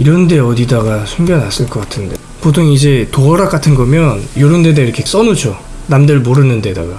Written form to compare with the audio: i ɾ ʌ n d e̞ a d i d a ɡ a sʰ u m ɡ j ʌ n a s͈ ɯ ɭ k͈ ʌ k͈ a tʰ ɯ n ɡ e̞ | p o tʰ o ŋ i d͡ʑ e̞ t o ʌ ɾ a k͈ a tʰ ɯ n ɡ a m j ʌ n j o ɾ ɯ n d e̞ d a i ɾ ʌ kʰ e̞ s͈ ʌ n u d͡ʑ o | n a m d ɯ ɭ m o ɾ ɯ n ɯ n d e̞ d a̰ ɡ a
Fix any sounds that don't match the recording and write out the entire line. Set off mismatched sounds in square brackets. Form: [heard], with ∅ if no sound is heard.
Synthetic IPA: i ɾ ʌ n d e̞ [ʌ] d i d a ɡ a sʰ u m ɡ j ʌ n a s͈ ɯ ɭ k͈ ʌ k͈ a tʰ ɯ n [d] e̞ | p o tʰ o ŋ i d͡ʑ e̞ t o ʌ ɾ a k͈ a tʰ ɯ n ɡ [ʌ] m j ʌ n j o ɾ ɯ n d e̞ d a i ɾ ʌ kʰ e̞ s͈ ʌ n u d͡ʑ o | n a m d ɯ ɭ m o ɾ ɯ n ɯ n d e̞ d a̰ ɡ a